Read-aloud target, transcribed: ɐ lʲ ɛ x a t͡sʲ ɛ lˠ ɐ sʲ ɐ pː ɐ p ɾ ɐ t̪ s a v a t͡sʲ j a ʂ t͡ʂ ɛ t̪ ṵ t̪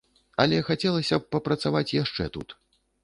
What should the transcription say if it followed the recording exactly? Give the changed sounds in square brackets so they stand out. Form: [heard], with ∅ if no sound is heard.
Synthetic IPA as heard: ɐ lʲ ɛ x a t͡sʲ ɛ lˠ ɐ sʲ ɐ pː ɐ p ɾ ɐ t̪ s a v a t͡sʲ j a ʂ t͡ʂ ɛ t̪ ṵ t̪